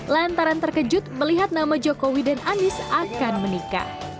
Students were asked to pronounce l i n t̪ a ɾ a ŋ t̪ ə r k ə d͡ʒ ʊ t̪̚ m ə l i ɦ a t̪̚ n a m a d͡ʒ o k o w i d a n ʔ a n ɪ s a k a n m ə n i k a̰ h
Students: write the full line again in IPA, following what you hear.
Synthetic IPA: l a n t̪ a ɾ a n t̪ ə r k ə d͡ʒ ʊ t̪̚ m ə l i ɦ a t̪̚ n a m a d͡ʒ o k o w i d a n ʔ a n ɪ s a k a n m ə n i k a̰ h